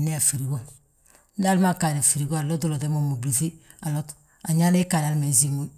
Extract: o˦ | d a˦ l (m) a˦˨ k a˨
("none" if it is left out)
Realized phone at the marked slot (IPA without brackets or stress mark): m